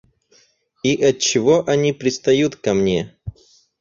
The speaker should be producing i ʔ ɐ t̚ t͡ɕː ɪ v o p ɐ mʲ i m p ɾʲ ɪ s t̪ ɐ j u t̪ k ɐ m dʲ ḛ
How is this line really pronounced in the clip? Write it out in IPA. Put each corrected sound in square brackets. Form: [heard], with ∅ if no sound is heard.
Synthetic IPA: i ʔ ɐ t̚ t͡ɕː ɪ v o [ʔ] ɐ [nʲ] i [∅] p ɾʲ ɪ s t̪ ɐ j u t̪ k ɐ m [nʲ] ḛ

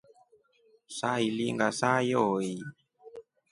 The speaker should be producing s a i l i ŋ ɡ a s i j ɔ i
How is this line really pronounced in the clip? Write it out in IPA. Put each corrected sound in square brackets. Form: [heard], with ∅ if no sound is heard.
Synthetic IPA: s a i l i ŋ ɡ a s [a] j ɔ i

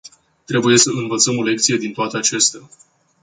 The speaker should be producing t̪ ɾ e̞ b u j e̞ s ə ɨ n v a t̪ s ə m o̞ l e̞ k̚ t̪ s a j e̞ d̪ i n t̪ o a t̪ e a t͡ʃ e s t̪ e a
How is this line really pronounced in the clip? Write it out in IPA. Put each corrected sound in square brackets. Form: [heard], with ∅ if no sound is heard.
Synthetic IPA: t̪ ɾ e̞ b u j e̞ s ə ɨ n v [ə] t̪ s ə m o̞ l e̞ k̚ t̪ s [i] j e̞ d̪ i n t̪ o a t̪ e a t͡ʃ e s t̪ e a

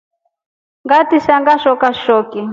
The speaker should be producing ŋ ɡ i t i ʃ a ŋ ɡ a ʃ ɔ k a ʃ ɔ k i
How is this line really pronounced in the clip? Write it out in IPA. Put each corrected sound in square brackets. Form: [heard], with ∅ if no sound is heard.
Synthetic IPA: ŋ ɡ [a] t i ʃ a ŋ ɡ a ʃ ɔ k a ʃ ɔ k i

